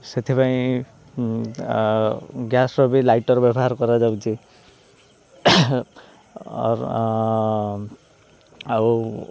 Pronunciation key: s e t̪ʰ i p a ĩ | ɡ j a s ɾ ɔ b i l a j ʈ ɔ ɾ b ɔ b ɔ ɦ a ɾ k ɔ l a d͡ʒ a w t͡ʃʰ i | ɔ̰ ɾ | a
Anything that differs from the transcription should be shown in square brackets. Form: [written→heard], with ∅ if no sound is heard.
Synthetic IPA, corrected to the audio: s e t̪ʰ i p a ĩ | ɡ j a s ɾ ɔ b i l a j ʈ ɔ ɾ b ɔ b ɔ ɦ a ɾ k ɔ [l→ɾ] a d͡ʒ a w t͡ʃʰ i | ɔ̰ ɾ | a